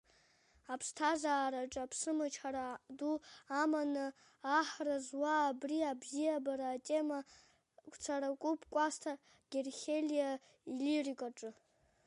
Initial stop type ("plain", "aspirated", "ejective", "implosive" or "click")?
aspirated